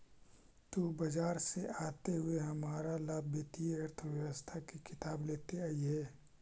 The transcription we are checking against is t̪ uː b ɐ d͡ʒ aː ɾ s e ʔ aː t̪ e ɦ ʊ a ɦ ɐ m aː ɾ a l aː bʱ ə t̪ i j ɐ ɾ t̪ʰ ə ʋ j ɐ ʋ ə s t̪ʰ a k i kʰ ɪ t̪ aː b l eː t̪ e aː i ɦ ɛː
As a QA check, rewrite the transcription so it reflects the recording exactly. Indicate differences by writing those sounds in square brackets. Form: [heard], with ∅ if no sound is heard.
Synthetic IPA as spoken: t̪ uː b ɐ d͡ʒ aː ɾ s e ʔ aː t̪ e ɦ ʊ [e] ɦ ɐ m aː ɾ a l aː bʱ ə t̪ i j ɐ ɾ t̪ʰ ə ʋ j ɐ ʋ ə s t̪ʰ a k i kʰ ɪ t̪ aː b l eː t̪ e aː i ɦ ɛː